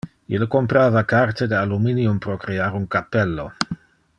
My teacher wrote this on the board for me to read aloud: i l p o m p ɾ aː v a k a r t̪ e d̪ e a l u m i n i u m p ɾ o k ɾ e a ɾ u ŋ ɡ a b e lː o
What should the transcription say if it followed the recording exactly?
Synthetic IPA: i l k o m p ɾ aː v a k a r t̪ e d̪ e a l u m i n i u m p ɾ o k ɾ e a ɾ u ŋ k a p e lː o

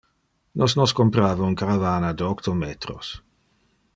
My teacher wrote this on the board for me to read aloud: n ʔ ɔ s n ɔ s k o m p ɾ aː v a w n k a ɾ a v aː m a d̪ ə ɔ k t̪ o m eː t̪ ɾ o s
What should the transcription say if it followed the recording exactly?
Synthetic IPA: n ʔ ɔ s n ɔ s k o m p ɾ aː v a u n k a ɾ a v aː n a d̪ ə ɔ k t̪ o m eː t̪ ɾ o s

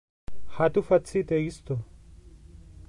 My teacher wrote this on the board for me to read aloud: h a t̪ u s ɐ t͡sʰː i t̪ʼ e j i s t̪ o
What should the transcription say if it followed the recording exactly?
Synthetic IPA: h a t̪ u f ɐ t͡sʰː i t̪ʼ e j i s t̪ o

